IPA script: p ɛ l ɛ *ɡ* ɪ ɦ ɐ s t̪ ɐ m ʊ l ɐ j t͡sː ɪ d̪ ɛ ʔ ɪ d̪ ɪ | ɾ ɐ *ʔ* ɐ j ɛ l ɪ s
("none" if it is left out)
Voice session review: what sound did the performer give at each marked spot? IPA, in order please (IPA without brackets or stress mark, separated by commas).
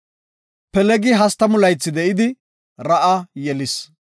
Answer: ɡ, ʔ